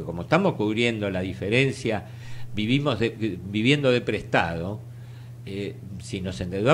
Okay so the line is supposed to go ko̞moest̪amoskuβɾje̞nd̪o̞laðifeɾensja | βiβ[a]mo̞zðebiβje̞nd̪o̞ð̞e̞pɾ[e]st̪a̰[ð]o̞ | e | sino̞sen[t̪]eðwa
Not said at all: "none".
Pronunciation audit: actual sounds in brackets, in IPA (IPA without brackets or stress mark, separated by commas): i, e, ð, d̪